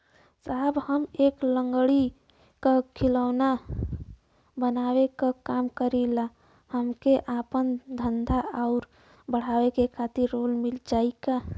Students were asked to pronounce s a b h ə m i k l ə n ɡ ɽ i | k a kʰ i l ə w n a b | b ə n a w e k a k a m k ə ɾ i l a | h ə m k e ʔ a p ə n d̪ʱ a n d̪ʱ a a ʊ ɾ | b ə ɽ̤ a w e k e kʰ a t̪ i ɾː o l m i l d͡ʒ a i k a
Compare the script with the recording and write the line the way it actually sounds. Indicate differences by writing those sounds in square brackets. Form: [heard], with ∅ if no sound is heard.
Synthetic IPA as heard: s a b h ə m [e] k l ə [ŋ] ɡ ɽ i | k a kʰ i l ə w n a [∅] | b ə n a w e k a k a m k ə ɾ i l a | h ə m k e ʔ a p ə n d̪ʱ [ə] n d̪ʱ a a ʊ ɾ | b ə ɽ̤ a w e k e kʰ a t̪ i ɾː o l m i l d͡ʒ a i k a